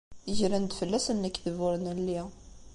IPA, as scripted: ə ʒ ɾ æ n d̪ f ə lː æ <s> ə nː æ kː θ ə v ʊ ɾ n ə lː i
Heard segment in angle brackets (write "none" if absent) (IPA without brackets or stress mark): s